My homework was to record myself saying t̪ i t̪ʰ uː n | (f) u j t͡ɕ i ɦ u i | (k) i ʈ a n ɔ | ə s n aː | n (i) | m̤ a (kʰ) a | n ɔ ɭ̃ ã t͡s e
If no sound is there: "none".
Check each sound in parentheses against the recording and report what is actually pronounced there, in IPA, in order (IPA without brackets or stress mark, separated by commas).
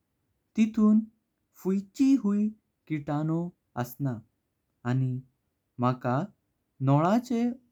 f, k, i, k